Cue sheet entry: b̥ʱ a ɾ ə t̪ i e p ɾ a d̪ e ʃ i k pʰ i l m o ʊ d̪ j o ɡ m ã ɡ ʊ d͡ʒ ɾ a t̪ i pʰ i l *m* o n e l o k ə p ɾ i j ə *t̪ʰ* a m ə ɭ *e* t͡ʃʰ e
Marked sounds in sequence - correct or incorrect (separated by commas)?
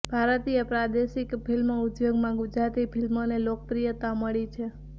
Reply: correct, incorrect, incorrect